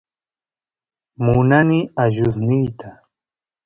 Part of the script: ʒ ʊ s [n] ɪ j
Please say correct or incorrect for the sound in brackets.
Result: correct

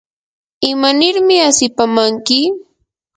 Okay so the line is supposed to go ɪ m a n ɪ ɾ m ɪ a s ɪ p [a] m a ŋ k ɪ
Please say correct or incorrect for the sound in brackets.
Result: correct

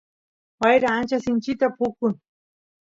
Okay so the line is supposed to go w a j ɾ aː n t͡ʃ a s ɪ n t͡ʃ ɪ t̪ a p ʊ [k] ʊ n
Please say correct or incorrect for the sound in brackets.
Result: correct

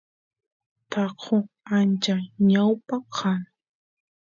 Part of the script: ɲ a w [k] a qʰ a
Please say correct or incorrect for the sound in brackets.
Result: incorrect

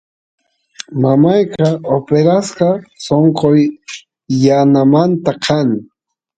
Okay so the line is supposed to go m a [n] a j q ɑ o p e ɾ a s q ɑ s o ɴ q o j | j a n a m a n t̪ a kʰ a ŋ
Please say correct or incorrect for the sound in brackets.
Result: incorrect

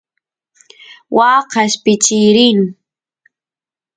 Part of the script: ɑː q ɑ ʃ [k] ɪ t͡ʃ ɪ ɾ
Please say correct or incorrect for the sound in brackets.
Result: incorrect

